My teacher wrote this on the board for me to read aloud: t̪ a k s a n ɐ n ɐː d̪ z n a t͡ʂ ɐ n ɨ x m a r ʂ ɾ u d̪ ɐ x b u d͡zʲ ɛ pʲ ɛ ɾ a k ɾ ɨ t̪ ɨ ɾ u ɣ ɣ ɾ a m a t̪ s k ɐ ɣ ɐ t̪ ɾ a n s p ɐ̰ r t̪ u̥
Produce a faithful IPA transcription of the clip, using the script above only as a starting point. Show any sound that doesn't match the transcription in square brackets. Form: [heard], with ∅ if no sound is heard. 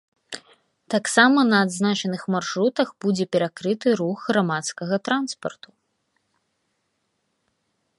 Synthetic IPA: t̪ a k s a [m] ɐ n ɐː d̪ z n a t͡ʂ ɐ n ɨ x m a r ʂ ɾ u [t̪] ɐ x b u d͡zʲ ɛ pʲ ɛ ɾ a k ɾ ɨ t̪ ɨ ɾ u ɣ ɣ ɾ a m a t̪ s k ɐ ɣ ɐ t̪ ɾ a n s p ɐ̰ r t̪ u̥